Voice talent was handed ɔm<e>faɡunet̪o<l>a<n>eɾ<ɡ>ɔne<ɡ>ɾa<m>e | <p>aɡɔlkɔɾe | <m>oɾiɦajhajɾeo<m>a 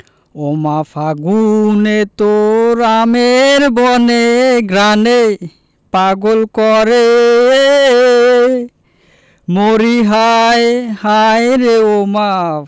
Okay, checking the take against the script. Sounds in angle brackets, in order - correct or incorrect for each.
incorrect, incorrect, incorrect, incorrect, correct, incorrect, correct, correct, correct

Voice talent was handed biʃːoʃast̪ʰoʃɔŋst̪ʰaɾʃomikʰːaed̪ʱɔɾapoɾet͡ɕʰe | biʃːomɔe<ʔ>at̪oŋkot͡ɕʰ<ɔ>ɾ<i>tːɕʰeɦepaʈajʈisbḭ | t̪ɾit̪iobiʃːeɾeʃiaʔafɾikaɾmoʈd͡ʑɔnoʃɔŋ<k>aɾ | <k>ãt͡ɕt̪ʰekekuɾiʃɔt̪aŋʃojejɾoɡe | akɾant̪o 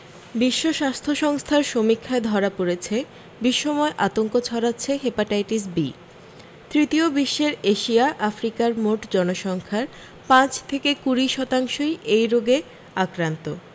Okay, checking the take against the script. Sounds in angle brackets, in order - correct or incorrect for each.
correct, correct, incorrect, incorrect, incorrect

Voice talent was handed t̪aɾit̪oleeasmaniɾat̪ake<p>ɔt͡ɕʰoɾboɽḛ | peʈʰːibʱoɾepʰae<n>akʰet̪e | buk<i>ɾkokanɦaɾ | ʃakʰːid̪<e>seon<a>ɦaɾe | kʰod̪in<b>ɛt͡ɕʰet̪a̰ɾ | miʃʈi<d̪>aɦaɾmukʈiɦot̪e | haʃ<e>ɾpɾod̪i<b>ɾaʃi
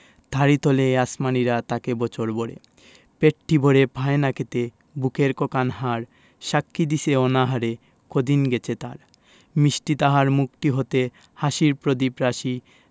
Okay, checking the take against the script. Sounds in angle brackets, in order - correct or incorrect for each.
incorrect, correct, incorrect, incorrect, correct, incorrect, incorrect, incorrect, incorrect

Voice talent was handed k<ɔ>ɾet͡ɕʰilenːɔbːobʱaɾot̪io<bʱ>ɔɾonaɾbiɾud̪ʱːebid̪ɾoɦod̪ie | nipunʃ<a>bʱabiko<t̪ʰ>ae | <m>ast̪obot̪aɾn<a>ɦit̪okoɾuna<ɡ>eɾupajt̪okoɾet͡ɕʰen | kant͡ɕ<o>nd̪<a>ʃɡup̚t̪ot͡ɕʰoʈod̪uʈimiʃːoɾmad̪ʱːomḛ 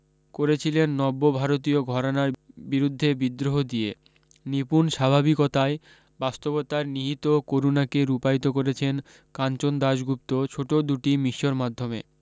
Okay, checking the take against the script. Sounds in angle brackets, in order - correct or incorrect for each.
incorrect, incorrect, correct, incorrect, incorrect, incorrect, incorrect, correct, correct

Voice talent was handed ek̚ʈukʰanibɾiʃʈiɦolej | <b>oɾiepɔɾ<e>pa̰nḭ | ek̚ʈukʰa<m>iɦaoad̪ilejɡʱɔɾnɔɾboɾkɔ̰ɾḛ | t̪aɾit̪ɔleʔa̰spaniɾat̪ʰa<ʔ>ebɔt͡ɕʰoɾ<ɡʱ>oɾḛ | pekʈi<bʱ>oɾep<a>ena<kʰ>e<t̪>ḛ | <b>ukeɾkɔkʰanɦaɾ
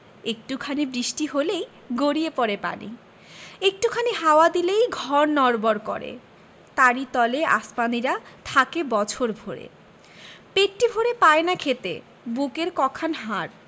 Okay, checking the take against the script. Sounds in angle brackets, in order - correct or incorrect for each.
incorrect, correct, incorrect, incorrect, incorrect, correct, correct, correct, correct, correct

